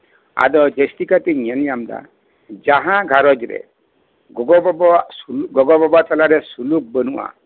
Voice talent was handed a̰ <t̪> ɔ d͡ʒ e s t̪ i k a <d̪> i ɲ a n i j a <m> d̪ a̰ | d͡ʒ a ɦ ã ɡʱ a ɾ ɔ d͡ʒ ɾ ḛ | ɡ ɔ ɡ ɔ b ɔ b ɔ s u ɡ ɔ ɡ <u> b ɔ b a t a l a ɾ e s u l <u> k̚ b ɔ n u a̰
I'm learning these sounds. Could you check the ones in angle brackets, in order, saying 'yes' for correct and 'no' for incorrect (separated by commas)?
no, no, yes, no, yes